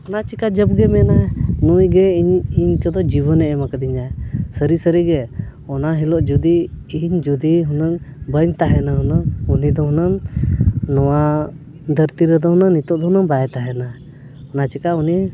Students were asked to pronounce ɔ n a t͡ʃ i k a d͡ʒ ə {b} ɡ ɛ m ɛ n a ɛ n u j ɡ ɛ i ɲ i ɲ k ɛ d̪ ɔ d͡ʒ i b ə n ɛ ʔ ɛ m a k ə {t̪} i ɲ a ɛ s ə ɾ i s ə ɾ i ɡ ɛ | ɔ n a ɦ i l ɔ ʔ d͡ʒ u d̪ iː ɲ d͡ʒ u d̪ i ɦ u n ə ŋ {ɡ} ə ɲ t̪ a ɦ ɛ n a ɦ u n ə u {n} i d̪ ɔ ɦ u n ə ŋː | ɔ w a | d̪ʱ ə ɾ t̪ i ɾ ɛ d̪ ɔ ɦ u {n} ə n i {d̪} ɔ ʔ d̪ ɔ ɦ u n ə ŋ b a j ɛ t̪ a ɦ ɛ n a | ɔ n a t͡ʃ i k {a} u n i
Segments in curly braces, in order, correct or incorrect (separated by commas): correct, incorrect, incorrect, correct, correct, incorrect, correct